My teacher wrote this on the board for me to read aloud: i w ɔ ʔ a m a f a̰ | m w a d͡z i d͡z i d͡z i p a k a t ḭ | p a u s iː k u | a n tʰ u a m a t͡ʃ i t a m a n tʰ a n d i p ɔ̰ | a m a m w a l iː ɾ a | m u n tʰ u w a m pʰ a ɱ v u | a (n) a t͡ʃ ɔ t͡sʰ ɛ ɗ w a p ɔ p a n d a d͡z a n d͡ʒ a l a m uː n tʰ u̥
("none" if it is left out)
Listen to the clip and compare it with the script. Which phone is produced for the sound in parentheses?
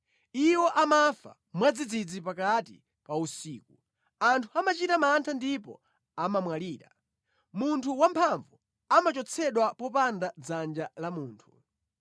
m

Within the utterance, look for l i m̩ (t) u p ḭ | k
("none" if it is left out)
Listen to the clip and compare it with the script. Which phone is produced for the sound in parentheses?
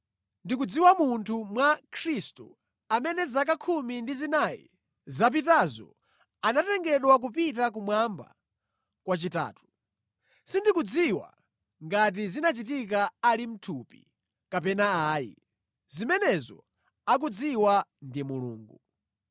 tʰ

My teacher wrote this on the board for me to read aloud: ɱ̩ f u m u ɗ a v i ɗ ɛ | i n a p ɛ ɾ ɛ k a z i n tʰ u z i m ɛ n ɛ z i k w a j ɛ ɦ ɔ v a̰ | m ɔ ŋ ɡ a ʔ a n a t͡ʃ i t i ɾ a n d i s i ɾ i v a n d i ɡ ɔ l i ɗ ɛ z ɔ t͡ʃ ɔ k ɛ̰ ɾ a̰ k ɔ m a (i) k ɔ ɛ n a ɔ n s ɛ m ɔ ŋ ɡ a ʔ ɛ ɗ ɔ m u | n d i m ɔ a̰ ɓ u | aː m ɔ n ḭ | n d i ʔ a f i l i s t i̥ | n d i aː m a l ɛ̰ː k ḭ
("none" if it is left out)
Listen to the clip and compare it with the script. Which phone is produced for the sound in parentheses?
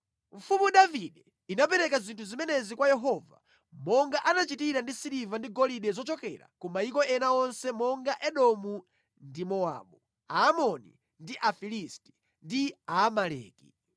i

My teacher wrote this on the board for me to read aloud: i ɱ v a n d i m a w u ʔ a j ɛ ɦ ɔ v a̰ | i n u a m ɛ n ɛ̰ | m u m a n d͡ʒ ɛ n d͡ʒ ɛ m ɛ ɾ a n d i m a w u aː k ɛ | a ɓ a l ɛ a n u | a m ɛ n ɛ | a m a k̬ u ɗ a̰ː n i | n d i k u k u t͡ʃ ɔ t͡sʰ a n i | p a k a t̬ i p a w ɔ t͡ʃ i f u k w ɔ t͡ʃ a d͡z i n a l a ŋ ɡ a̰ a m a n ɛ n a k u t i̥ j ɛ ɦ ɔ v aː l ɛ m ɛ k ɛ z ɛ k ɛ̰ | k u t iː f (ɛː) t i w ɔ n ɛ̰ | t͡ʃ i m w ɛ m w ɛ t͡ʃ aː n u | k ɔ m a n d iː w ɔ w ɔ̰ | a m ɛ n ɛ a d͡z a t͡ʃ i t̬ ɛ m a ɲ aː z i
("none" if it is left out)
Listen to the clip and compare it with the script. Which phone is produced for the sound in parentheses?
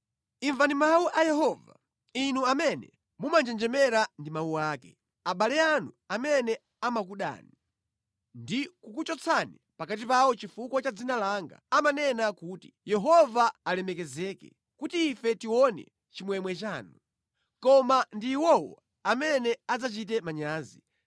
ɛ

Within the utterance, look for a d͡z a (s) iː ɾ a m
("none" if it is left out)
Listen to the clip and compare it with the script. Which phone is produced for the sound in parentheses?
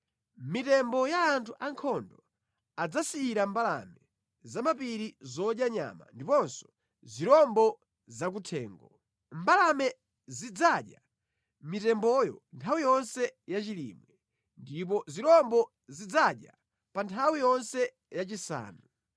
s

